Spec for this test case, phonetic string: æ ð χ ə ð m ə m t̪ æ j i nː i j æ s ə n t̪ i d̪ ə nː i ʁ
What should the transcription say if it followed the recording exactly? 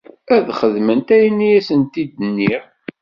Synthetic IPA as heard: æ ð χ ə ð m ə n t̪ æ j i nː i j æ s ə n t̪ i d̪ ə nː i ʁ